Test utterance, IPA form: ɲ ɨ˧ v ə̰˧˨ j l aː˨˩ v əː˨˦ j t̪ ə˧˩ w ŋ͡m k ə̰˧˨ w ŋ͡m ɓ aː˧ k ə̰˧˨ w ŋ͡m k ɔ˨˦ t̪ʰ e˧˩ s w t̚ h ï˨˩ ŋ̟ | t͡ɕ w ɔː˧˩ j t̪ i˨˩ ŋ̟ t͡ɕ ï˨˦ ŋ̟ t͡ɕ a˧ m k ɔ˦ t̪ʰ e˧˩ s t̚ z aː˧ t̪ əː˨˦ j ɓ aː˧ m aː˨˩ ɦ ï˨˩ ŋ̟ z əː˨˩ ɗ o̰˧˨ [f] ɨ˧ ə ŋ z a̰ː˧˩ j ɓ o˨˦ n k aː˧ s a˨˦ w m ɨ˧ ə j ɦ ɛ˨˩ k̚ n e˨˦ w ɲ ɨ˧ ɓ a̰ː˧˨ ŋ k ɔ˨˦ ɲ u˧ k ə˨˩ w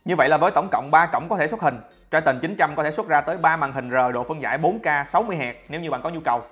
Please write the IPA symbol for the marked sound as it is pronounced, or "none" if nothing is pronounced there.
f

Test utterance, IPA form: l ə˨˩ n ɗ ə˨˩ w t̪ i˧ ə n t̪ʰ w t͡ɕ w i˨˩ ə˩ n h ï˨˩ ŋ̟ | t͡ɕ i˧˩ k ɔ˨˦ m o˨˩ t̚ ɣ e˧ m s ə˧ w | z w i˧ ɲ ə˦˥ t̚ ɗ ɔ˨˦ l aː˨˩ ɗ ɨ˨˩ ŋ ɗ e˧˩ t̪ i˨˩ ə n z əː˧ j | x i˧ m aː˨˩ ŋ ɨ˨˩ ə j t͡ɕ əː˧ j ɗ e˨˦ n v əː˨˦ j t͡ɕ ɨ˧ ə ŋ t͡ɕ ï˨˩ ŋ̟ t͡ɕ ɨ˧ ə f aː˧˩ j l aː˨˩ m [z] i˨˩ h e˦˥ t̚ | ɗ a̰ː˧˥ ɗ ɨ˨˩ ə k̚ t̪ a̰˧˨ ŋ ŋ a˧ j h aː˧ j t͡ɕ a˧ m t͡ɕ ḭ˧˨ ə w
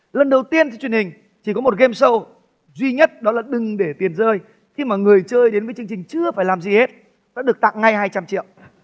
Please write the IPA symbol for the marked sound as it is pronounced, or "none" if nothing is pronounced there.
z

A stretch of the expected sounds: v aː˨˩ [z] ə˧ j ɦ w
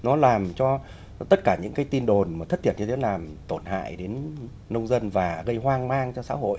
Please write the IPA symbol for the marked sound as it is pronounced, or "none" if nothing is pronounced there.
ɣ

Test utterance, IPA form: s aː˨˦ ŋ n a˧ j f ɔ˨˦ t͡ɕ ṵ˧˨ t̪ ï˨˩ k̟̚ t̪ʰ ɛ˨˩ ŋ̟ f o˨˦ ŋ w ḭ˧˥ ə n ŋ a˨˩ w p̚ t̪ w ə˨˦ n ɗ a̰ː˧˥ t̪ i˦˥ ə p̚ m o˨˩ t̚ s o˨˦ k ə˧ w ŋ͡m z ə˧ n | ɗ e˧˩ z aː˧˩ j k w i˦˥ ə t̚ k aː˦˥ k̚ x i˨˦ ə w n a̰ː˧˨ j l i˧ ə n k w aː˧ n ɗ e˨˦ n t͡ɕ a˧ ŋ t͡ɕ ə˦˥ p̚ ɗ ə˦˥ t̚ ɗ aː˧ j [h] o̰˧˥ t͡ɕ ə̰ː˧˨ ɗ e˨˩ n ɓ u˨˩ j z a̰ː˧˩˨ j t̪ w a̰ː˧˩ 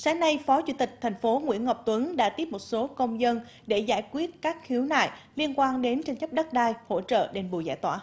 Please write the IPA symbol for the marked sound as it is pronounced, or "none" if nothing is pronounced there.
h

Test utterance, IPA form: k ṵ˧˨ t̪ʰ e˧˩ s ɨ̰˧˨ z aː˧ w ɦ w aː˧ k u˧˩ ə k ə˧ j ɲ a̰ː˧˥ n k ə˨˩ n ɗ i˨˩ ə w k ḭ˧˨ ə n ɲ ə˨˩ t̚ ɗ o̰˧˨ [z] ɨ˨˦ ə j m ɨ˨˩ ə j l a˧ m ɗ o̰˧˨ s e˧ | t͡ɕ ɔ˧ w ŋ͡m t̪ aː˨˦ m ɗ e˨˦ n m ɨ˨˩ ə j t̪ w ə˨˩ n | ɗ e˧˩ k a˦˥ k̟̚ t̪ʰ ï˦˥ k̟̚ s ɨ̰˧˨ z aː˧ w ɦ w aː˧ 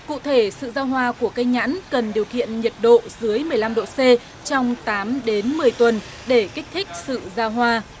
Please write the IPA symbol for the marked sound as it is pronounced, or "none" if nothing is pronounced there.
z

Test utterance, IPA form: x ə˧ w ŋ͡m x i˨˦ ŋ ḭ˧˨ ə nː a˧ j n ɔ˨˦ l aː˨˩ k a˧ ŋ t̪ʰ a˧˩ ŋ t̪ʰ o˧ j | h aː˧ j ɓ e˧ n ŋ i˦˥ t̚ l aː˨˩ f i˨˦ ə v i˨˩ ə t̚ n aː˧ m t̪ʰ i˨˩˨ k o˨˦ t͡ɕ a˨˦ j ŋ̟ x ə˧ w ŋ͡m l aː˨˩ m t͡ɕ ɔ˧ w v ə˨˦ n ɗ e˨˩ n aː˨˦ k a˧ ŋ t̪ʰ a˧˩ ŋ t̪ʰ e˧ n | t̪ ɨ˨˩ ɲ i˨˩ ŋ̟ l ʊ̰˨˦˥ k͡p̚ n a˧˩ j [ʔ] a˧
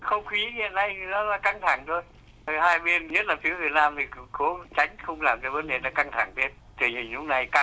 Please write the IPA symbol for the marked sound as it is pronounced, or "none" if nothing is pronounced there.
k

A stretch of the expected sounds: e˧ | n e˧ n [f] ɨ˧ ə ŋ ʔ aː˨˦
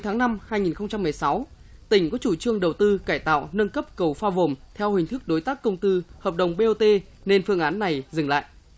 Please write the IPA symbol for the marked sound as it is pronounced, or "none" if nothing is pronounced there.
f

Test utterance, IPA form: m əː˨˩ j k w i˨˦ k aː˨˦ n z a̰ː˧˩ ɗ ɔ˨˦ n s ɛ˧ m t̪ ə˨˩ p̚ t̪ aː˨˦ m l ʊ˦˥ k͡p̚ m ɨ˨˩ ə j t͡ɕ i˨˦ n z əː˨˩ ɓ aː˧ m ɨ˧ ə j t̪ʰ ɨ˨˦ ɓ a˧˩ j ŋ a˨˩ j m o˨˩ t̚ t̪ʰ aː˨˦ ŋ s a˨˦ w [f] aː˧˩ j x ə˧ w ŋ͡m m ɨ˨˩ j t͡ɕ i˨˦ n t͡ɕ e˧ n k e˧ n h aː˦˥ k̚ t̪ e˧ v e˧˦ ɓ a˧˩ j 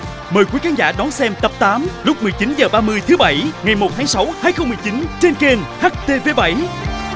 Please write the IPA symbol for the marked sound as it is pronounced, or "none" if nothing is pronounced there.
h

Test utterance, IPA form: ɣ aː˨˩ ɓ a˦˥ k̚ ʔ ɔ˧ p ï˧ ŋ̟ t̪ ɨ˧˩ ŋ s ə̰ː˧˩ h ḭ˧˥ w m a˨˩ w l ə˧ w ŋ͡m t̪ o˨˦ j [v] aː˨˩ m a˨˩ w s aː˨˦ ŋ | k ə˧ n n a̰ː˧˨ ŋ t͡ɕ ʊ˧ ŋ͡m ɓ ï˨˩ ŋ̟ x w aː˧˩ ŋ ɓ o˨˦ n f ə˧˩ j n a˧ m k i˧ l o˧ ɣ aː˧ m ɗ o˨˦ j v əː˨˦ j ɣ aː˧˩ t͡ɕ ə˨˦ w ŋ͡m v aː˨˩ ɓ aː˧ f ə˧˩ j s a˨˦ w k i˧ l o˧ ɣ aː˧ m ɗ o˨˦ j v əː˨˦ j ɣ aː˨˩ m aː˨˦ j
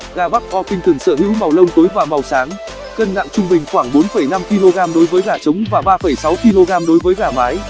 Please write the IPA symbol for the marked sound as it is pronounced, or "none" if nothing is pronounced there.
v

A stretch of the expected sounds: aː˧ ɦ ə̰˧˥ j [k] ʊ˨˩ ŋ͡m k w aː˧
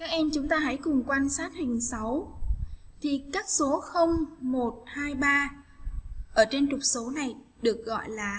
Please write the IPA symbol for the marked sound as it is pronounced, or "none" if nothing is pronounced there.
k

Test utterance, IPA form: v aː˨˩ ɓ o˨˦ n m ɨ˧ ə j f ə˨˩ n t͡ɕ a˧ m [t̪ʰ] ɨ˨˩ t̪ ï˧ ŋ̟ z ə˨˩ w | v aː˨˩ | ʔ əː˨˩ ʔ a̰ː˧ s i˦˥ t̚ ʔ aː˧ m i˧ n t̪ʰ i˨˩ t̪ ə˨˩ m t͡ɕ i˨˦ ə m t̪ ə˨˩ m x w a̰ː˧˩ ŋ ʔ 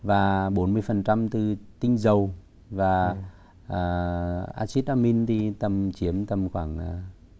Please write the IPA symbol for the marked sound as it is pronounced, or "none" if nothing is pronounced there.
t̪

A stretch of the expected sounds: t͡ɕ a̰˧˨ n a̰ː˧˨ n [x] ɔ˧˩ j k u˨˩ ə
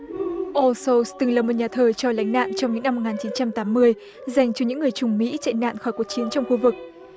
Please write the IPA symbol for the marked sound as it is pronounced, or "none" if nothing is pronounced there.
x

